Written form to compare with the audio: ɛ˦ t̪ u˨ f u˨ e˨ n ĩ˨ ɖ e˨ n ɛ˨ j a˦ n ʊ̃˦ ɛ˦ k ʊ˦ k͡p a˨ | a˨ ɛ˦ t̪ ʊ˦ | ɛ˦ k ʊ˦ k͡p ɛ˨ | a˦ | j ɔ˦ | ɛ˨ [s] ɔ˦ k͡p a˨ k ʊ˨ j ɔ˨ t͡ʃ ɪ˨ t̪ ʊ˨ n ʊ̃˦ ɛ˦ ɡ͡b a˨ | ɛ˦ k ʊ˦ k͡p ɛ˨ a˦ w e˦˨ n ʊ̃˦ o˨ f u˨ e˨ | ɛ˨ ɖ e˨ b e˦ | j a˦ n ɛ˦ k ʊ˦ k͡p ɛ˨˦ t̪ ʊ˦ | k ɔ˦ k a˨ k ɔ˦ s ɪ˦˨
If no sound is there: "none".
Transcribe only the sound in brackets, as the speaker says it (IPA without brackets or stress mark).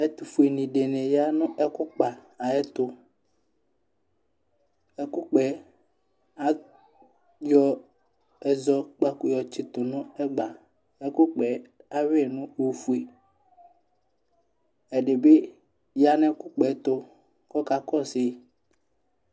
z